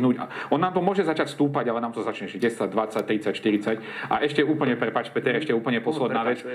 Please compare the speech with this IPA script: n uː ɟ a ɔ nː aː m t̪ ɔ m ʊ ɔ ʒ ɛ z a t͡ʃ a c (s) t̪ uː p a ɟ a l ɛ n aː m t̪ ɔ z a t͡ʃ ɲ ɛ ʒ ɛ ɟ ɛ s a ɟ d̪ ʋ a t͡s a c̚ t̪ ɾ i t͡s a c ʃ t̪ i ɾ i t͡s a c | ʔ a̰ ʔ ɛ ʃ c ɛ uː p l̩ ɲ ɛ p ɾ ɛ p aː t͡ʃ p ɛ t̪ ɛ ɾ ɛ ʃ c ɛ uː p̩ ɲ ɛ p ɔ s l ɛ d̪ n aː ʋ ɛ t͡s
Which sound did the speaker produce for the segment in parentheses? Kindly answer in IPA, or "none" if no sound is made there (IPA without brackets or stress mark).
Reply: s